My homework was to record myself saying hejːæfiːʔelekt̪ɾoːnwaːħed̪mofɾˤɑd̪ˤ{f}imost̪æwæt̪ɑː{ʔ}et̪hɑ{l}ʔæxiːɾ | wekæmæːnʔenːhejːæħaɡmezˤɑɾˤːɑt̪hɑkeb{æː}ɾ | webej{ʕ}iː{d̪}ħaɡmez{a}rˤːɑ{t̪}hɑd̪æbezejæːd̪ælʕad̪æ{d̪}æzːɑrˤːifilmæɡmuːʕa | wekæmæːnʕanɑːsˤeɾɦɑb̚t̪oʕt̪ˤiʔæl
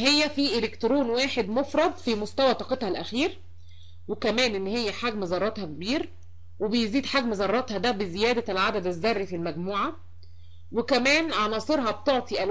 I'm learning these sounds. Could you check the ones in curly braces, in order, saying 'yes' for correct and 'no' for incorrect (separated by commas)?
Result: yes, no, yes, no, no, yes, no, yes, yes